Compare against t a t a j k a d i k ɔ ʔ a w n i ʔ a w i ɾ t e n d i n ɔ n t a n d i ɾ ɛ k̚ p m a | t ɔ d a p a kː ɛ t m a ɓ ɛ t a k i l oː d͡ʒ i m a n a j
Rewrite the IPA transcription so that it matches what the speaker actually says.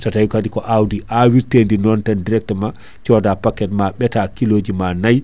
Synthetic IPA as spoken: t a t a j k a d i k ɔ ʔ a w d i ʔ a w i ɾ t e n d i n ɔ n t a n d i ɾ ɛ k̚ t m a | t͡ʃ ɔ d a p a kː ɛ t m a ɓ ɛ t a k i l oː d͡ʒ i m a n a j